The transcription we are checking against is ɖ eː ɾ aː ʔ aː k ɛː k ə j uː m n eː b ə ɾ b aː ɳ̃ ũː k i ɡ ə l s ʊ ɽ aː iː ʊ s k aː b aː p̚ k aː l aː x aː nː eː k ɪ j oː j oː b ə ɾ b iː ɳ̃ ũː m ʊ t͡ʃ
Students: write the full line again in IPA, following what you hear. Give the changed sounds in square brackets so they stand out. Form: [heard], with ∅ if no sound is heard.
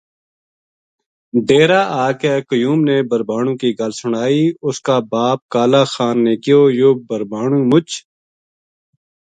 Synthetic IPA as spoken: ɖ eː ɾ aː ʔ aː k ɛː k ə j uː m n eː b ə ɾ b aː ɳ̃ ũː k i ɡ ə l s ʊ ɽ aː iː ʊ s k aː b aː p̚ k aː l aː x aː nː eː k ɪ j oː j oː b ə ɾ b [aː] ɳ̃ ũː m ʊ t͡ʃ